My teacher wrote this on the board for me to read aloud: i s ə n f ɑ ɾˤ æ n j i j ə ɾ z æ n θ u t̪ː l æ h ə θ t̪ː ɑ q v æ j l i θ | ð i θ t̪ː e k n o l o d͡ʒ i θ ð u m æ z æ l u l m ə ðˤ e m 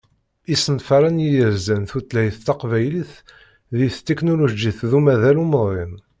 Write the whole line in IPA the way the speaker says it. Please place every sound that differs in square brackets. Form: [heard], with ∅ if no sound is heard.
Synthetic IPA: i s ə n f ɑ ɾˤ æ n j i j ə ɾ z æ n θ u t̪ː l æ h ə θ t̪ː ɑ q v æ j l i θ | ð i θ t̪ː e k n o l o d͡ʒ i θ ð u m æ [ð] æ l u [∅] m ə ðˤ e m